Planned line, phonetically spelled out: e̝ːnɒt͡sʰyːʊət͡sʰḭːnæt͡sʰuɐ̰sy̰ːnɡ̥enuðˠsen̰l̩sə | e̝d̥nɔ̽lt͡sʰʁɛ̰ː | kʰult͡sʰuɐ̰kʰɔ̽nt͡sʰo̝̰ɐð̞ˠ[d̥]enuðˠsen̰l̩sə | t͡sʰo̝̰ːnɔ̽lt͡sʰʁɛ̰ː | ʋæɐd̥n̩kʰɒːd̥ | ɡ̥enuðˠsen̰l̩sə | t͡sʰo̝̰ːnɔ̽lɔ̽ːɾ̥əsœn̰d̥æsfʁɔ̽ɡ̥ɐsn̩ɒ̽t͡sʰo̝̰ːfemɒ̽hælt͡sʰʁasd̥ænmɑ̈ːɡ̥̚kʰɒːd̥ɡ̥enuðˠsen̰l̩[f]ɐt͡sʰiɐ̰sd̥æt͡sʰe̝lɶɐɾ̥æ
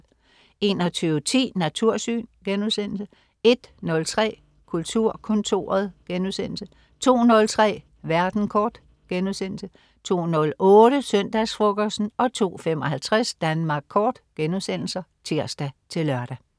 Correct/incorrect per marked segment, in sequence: incorrect: ɡ̥, incorrect: s

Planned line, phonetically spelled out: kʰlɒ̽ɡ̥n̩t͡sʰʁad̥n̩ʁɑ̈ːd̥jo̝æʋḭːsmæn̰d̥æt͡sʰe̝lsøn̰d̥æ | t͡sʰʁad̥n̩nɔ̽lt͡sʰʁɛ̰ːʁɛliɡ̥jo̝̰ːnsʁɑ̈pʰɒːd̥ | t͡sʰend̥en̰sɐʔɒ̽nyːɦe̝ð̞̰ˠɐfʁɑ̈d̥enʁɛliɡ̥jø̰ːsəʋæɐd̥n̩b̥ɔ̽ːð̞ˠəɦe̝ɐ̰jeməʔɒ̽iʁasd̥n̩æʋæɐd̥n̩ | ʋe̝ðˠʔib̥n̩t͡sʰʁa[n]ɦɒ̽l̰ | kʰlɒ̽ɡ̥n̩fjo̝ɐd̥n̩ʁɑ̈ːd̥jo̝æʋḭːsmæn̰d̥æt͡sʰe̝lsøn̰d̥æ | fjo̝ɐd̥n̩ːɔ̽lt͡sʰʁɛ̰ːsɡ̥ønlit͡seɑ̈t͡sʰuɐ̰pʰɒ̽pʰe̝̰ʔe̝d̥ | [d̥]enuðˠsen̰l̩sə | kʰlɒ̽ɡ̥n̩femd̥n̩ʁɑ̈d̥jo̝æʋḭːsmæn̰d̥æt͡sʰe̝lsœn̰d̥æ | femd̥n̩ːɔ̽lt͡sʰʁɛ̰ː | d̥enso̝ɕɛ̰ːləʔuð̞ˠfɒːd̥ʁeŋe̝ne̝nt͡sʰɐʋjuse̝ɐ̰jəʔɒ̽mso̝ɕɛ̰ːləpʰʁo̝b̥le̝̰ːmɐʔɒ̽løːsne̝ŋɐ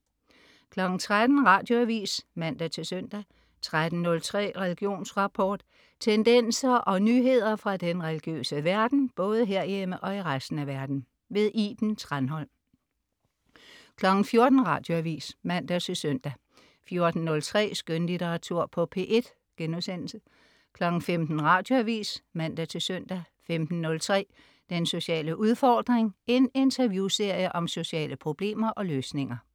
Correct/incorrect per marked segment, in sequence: correct, incorrect: ɡ̥

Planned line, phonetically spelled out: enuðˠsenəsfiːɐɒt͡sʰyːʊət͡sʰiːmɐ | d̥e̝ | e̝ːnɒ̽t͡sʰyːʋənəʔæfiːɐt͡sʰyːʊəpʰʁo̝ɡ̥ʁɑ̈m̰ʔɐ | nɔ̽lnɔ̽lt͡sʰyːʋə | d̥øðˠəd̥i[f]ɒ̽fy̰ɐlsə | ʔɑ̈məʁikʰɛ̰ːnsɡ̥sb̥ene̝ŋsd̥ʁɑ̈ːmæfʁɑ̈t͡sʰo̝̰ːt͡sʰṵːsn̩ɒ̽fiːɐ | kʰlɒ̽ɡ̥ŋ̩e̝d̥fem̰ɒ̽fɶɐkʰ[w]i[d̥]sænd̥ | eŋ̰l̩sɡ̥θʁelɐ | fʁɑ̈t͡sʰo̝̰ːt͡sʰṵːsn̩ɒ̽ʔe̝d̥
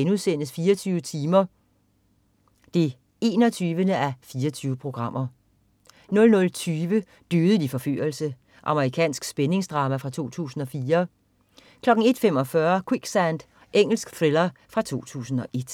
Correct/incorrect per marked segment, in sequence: correct, correct, incorrect: ɡ̥

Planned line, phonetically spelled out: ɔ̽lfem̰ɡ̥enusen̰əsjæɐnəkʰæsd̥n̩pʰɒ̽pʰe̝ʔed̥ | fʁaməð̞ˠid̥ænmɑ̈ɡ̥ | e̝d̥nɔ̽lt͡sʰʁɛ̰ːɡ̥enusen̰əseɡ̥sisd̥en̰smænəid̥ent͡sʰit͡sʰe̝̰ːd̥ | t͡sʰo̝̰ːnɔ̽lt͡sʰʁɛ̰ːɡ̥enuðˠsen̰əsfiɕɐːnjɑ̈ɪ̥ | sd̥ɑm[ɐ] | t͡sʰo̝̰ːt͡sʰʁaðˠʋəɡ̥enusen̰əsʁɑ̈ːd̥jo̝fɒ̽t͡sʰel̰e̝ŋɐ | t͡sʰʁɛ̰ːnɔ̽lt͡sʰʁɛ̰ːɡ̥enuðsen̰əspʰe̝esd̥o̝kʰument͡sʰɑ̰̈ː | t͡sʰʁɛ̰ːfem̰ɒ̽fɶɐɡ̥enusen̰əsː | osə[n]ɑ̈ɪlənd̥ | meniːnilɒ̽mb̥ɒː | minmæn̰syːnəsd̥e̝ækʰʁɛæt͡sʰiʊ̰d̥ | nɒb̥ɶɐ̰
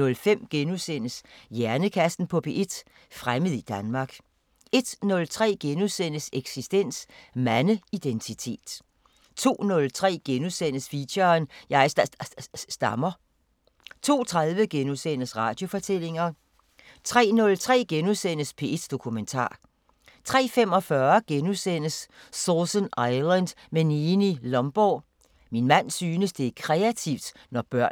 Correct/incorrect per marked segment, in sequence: correct, correct

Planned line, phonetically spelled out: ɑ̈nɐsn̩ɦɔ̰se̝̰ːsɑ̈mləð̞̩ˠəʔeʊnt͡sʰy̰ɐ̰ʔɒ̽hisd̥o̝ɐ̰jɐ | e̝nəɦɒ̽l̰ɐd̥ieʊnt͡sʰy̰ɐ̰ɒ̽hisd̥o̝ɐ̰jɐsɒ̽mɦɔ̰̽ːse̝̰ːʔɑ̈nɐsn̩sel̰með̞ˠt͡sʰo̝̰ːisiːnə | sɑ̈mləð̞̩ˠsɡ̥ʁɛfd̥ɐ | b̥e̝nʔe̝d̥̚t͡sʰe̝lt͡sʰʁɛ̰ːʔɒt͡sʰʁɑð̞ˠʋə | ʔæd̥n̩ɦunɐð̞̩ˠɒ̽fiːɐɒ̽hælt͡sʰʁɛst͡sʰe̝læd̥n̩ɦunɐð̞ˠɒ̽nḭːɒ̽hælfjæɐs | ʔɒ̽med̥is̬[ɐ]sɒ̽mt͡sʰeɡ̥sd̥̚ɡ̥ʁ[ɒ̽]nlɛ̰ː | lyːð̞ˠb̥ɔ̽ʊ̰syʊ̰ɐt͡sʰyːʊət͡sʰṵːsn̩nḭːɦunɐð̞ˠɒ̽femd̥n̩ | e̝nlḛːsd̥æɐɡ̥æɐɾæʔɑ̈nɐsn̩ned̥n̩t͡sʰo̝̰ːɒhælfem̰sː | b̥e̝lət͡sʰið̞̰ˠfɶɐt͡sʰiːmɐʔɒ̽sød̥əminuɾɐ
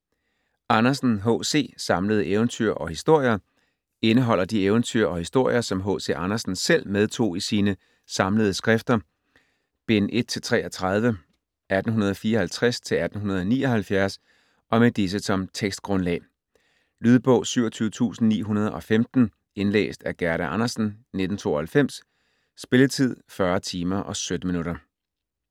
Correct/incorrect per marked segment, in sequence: incorrect: ə, incorrect: ɔ̽

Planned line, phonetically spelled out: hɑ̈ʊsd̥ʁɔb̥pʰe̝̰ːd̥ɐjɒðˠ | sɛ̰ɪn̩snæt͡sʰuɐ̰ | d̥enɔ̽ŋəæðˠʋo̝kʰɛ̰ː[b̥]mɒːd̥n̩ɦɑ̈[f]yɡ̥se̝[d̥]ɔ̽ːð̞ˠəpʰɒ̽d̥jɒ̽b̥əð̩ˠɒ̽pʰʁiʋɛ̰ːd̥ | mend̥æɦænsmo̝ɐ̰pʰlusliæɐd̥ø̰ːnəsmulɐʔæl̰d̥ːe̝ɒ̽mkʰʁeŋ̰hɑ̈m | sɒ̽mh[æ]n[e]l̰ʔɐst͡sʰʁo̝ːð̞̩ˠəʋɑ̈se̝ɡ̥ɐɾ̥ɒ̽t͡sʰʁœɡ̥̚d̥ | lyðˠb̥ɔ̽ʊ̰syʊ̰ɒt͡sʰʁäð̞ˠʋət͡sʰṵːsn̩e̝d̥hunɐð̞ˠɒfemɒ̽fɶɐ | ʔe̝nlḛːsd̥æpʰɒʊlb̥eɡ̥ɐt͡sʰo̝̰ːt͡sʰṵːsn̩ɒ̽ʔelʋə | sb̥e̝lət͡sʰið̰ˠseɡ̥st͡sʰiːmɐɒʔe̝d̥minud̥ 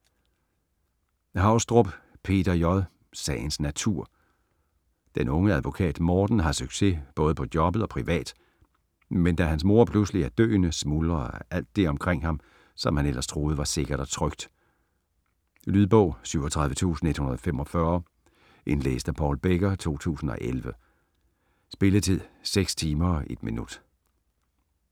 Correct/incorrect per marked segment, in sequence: incorrect: d̥, incorrect: s, incorrect: b̥, correct, correct

